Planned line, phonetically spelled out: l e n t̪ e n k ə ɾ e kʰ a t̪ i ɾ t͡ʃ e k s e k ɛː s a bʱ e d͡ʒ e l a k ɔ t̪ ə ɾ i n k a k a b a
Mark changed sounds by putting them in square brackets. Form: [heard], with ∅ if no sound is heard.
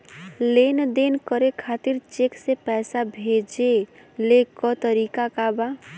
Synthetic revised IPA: l e n [d̪] e n k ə ɾ e kʰ a t̪ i ɾ t͡ʃ e k s e [p] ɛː s a bʱ e d͡ʒ e l [e] k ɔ t̪ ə ɾ i [∅] k a k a b a